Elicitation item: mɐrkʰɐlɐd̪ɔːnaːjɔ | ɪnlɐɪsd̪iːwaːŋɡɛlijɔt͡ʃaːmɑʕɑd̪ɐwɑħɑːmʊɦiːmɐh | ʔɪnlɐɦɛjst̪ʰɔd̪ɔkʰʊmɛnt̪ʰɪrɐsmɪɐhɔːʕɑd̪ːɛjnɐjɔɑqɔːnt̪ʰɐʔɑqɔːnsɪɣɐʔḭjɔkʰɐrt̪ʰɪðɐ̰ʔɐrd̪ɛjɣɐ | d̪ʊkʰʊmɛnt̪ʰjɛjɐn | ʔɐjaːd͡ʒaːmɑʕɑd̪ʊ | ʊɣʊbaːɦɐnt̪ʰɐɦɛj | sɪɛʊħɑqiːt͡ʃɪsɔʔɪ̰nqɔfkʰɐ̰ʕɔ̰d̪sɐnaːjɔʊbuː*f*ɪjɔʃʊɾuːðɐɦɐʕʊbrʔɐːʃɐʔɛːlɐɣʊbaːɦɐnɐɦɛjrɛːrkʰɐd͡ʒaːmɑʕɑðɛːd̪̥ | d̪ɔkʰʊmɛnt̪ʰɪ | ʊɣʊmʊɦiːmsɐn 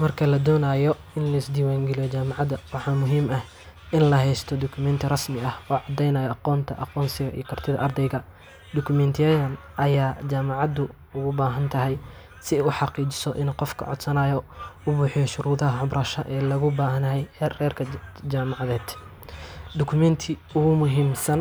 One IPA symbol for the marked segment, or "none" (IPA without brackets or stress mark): ħ